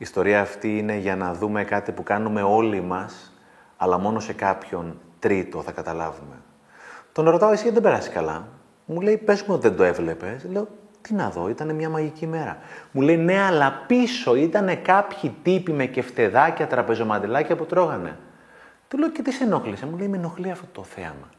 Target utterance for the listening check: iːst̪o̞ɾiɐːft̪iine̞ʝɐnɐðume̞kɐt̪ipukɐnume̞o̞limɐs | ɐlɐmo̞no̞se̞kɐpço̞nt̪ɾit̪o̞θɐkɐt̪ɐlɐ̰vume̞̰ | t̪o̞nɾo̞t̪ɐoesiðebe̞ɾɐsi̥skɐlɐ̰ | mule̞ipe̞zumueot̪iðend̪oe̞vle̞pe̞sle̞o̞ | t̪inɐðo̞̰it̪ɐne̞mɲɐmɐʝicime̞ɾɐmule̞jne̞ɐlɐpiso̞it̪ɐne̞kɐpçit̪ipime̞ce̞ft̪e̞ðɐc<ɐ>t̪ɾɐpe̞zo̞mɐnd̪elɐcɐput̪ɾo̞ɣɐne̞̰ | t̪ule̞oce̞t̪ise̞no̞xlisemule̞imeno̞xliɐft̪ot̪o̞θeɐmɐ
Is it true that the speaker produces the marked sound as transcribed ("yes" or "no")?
yes